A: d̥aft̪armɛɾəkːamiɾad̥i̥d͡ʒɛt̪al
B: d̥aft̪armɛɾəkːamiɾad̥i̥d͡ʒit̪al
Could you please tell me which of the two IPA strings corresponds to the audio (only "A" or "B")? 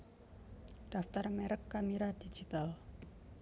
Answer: B